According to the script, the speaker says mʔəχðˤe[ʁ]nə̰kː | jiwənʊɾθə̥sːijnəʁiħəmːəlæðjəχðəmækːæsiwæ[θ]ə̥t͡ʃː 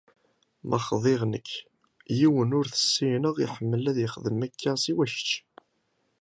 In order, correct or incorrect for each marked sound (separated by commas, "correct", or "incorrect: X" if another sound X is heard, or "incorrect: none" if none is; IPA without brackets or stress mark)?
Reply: correct, incorrect: ʃ